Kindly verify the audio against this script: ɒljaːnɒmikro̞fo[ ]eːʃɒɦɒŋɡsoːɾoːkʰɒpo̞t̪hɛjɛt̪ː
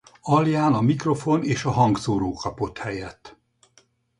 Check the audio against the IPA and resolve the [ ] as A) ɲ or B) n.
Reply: B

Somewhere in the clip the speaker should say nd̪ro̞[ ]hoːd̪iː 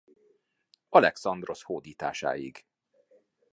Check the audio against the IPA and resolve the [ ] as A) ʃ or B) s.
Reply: B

